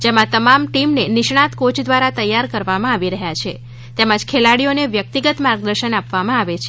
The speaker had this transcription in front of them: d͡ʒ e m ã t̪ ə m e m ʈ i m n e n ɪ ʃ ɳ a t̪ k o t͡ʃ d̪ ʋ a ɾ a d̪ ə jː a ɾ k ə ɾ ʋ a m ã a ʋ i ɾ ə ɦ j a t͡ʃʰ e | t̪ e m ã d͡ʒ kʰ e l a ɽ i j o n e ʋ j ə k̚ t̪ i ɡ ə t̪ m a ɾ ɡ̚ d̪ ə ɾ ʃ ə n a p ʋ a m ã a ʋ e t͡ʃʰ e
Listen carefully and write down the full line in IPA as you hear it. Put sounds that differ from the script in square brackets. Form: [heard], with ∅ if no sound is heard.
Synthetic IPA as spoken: d͡ʒ e m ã t̪ ə m [a] m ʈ i m n e n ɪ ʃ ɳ a t̪ k o t͡ʃ d̪ ʋ a ɾ a [t̪] ə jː a ɾ k ə ɾ ʋ a m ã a ʋ i ɾ ə ɦ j a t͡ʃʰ e | t̪ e m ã d͡ʒ kʰ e l a ɽ i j o n e ʋ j ə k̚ t̪ i ɡ ə t̪ m a ɾ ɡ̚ d̪ ə ɾ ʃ ə n a p ʋ a m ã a ʋ e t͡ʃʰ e